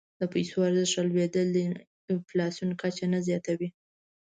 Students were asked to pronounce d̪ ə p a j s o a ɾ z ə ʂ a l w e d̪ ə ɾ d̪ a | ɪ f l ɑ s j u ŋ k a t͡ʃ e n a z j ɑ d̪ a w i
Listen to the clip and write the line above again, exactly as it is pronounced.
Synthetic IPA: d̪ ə p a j s o a ɾ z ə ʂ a l w e d̪ ə l d̪ ə | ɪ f l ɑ s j u n k a t͡ʃ a n a z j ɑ t̪ a w i